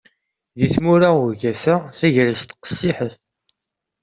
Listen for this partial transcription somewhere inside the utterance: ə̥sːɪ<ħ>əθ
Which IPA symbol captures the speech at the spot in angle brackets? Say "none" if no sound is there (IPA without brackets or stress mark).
ħ